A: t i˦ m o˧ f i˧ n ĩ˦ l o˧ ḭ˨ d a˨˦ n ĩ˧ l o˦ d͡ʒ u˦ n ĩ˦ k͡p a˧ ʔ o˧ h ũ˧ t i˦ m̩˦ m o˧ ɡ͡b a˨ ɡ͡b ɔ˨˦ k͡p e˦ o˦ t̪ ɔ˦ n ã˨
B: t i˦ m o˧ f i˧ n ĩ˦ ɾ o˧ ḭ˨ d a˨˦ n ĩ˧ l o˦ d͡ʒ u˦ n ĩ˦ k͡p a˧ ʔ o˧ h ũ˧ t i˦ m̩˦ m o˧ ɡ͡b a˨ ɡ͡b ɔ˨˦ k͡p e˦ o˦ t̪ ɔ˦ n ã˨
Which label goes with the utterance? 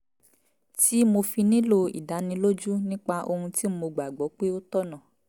A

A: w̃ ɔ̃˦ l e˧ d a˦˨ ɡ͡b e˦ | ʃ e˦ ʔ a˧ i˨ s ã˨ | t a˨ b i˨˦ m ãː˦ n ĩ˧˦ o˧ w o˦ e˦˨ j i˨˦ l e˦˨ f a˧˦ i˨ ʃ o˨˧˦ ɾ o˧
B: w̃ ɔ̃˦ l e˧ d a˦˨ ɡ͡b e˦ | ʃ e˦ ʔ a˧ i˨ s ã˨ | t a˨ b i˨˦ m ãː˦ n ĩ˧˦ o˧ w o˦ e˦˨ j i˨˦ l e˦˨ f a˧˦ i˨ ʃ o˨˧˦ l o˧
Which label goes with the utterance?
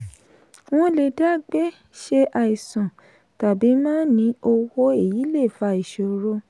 A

